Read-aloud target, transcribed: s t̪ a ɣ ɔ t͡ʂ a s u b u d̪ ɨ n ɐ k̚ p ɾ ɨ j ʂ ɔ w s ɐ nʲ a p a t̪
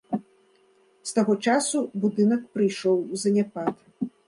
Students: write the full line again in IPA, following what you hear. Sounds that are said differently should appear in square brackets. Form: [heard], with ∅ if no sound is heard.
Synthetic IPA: s t̪ a ɣ ɔ t͡ʂ a s u b u d̪ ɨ n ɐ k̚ p ɾ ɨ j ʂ ɔ w [z] ɐ nʲ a p a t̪